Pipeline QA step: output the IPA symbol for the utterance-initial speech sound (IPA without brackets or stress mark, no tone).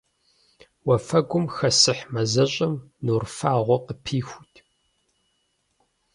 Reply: w